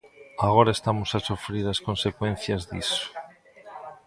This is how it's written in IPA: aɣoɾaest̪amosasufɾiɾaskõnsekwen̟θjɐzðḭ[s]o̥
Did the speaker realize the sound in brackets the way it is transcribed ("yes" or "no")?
yes